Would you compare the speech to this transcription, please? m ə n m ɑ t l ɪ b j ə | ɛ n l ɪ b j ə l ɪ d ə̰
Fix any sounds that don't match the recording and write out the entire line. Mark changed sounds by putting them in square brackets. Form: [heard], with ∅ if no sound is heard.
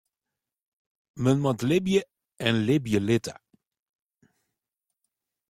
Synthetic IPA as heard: m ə n m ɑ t l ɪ b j ə | ɛ n l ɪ b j ə l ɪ [t] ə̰

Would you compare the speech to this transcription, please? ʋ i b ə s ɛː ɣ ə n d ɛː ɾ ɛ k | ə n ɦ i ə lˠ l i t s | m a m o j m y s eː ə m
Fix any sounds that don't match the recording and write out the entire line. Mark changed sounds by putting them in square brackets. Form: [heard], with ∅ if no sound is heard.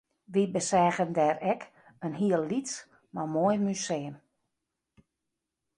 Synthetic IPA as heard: ʋ i b ə s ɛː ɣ ə n d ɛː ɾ ɛ k | ə n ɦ i ə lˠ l i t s | m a m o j m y s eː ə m

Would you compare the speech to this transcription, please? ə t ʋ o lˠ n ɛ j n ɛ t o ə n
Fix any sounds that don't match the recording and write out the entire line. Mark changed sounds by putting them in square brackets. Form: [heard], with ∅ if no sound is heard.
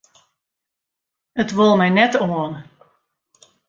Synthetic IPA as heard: ə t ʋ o lˠ [m] ɛ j n ɛ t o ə n

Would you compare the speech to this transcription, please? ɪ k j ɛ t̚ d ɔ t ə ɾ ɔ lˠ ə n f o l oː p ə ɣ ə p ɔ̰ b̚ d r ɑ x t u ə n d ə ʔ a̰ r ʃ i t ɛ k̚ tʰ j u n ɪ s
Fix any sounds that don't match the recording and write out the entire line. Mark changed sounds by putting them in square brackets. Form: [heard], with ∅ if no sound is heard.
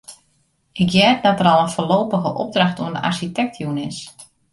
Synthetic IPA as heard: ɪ k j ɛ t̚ d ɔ t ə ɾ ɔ lˠ ə n f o l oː p ə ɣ ə [ʔ] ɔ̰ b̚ d r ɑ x t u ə n d ə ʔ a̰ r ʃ i t ɛ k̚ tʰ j u n ɪ s

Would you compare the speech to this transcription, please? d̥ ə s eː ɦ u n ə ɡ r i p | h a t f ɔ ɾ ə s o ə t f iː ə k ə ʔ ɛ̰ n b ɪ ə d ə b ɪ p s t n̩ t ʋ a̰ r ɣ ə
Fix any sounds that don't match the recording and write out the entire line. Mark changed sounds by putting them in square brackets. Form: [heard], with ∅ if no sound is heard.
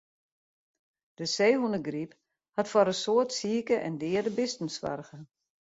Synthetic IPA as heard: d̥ ə s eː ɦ u n ə ɡ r i p | h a t f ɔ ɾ ə s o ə t [s] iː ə k ə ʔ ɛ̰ n [d] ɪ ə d ə b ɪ [∅] s t n̩ [s] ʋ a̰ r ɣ ə

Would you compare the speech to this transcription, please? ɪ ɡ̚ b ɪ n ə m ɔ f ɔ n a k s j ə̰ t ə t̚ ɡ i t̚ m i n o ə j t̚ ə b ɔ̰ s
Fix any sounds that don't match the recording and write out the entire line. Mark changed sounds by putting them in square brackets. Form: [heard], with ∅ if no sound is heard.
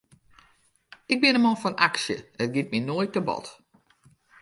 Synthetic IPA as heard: ɪ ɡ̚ b ɪ n ə m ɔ f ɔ n a k s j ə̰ [∅] ə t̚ ɡ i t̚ m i n o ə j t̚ ə b ɔ̰ [t]

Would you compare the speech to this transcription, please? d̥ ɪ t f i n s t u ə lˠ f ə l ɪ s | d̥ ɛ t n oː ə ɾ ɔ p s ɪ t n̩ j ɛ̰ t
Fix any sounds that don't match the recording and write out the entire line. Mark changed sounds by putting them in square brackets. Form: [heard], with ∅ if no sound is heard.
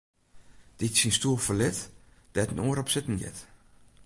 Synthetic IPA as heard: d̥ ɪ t [s] i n s t u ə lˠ f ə l ɪ [t] | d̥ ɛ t n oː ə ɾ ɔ p s ɪ t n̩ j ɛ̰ t

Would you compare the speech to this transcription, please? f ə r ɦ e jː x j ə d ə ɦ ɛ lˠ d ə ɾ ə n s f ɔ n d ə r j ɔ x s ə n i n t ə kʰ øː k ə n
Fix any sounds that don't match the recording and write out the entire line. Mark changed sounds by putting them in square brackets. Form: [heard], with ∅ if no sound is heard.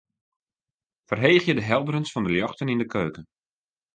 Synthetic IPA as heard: f ə r ɦ e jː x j ə d ə ɦ ɛ lˠ d ə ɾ ə n s f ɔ n d ə [l] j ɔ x [t] ə n i n [d] ə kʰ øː k ə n

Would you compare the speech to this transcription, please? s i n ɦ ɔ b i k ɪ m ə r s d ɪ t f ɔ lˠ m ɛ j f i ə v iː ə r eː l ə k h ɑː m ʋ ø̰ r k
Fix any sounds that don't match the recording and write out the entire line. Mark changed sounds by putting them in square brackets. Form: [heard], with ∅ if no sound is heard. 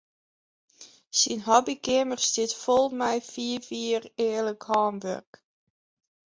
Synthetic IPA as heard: s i n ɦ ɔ b i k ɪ m ə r s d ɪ t f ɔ lˠ m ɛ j f i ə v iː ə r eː l ə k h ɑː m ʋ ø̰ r k

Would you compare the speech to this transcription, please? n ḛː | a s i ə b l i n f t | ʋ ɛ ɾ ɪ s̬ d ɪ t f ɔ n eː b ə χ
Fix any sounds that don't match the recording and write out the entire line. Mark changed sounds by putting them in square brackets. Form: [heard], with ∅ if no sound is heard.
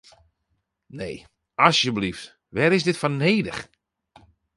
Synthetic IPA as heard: n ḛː | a s [j] ə b l i [∅] f t | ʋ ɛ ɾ ɪ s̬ d ɪ t f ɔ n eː [d] ə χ

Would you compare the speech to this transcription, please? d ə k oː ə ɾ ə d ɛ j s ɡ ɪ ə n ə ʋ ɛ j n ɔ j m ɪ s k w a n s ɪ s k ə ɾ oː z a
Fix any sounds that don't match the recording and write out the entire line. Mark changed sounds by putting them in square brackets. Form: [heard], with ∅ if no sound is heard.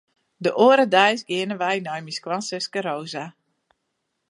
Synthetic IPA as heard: d ə [ʔ] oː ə ɾ ə d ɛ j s ɡ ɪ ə n ə ʋ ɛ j n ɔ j m [i] s k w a n s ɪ s k ə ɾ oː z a

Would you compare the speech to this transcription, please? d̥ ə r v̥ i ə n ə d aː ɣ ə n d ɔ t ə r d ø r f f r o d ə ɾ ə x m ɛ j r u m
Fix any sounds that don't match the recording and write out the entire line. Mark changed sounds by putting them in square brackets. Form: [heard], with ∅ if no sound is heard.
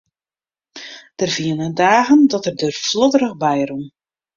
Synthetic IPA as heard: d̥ ə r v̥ i ə n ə d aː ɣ ə n d ɔ t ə r d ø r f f [l] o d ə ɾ ə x [b] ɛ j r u m

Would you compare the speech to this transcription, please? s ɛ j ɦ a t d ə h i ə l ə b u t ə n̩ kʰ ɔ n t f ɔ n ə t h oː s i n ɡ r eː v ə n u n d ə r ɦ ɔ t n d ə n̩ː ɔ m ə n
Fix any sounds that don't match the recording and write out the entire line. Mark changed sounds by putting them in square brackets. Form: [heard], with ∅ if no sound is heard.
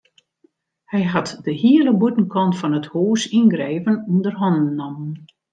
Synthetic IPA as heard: [h] ɛ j ɦ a t d ə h i ə l ə b u t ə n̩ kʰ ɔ n t f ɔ n ə t h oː s i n ɡ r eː v ə n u n d ə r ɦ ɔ [∅] n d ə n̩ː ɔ m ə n

